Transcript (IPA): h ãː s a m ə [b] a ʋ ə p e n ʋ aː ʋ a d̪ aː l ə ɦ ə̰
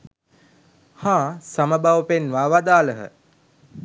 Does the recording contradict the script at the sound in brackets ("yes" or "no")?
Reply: no